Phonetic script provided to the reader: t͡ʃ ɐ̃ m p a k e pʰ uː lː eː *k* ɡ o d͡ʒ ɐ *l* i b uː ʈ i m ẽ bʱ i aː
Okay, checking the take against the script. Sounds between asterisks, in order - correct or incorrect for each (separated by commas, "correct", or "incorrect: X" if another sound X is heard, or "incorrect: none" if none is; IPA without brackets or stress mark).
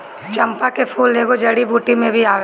incorrect: none, incorrect: ɽ